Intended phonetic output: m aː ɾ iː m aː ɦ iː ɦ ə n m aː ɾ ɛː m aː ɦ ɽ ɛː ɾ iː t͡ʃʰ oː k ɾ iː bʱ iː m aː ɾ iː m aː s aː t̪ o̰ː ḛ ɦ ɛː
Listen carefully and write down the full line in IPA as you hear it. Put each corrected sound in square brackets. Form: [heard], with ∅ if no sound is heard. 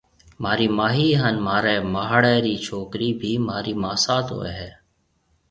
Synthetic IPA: m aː ɾ iː m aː ɦ iː ɦ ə n m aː ɾ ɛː m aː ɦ ɽ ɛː ɾ iː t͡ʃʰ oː k ɾ iː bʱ iː m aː ɾ iː m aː s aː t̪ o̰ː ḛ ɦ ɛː